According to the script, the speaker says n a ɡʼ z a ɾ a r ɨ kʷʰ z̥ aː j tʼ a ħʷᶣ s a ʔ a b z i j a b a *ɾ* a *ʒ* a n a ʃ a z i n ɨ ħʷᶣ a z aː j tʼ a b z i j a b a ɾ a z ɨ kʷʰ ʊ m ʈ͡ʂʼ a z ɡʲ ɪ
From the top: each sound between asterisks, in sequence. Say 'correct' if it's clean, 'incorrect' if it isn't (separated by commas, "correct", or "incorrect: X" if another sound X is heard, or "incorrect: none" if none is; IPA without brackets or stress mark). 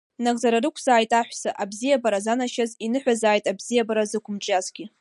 correct, incorrect: z